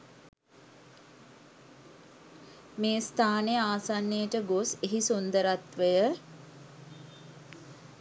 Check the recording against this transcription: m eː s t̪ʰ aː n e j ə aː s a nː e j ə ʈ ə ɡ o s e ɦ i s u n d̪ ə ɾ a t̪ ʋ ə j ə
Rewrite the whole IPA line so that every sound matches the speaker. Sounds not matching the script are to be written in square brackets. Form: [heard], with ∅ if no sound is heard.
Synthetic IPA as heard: m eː s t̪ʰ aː n e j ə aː s a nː e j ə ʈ ə ɡ o s e ɦ i s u n d̪ ə ɾ a t̪ ʋ ə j ə